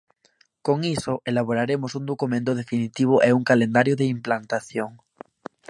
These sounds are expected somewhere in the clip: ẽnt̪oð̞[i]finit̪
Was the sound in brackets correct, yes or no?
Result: no